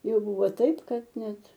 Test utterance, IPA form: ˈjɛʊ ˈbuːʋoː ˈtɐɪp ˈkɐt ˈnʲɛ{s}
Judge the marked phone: incorrect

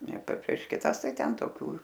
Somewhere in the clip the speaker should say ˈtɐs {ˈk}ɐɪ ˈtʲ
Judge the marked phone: incorrect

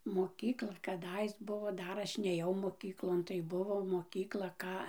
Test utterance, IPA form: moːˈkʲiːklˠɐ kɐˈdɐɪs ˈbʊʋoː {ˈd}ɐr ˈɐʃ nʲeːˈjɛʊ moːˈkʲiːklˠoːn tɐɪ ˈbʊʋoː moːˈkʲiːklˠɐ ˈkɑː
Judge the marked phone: correct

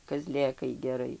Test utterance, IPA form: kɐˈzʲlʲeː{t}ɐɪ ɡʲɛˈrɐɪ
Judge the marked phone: incorrect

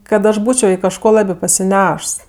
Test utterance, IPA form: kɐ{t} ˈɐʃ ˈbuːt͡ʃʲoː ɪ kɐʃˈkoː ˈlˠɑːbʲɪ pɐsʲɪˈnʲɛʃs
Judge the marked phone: correct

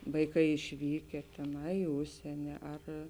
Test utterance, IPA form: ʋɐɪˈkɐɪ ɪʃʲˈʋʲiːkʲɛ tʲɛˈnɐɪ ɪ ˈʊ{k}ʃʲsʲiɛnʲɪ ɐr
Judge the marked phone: incorrect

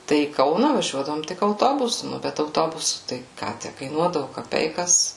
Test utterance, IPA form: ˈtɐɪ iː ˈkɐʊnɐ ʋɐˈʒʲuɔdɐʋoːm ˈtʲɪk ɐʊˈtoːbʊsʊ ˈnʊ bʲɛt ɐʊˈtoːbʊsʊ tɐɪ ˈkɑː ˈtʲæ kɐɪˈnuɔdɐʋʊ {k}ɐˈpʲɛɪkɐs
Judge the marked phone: correct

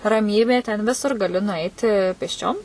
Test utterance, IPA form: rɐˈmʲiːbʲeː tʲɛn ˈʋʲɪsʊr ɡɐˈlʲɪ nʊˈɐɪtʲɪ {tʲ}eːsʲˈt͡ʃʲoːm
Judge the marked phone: incorrect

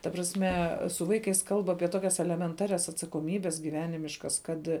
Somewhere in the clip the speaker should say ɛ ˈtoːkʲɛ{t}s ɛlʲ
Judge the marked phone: incorrect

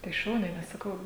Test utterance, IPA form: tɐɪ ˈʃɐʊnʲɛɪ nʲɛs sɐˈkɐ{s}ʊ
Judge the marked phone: incorrect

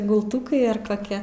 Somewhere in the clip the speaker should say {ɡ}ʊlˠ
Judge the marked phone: correct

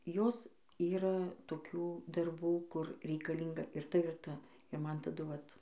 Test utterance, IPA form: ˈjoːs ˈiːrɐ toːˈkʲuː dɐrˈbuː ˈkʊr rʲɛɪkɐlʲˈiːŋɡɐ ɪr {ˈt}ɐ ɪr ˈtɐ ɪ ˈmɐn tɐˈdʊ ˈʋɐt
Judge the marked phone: correct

